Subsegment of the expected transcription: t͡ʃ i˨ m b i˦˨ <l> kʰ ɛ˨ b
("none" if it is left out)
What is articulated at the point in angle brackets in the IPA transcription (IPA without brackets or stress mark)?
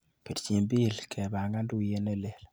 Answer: l